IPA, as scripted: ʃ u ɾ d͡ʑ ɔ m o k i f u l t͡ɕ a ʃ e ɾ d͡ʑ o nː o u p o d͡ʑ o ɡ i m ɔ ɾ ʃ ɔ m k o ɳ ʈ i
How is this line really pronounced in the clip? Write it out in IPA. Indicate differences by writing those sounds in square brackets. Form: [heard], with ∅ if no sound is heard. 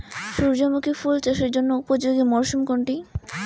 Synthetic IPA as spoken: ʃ u ɾ d͡ʑ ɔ m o k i f u l t͡ɕ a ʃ e ɾ d͡ʑ o nː o u p o d͡ʑ o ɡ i m ɔ ɾ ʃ [u] m k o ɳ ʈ i